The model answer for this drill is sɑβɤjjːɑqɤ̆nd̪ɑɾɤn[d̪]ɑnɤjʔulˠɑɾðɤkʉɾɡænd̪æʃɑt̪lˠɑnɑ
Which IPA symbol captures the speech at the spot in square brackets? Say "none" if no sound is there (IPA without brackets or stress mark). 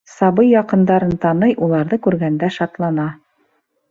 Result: t̪